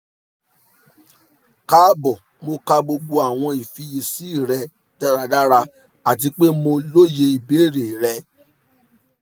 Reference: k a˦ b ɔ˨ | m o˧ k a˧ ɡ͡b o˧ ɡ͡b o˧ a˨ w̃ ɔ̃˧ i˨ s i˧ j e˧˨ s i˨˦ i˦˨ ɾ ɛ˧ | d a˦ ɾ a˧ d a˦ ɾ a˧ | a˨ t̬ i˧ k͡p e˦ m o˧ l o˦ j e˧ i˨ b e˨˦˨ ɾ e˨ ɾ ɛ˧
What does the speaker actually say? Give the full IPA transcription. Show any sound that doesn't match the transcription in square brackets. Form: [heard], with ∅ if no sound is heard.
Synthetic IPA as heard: k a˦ b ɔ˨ | m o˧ k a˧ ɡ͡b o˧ ɡ͡b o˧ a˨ w̃ ɔ̃˧ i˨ [f] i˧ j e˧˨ s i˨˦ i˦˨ ɾ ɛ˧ | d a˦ ɾ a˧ d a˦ ɾ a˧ | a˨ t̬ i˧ k͡p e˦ m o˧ l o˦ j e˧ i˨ b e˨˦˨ ɾ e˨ ɾ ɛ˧